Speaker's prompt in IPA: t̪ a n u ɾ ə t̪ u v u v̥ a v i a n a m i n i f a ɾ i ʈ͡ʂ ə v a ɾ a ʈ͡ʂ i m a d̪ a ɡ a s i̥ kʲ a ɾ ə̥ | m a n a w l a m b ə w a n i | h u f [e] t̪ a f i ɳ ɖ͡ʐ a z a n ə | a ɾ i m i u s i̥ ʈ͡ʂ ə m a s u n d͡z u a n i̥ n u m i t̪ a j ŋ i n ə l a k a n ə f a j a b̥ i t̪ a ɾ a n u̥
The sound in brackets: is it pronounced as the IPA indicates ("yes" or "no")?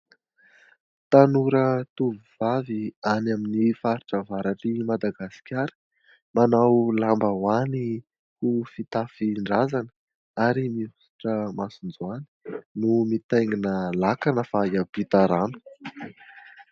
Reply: no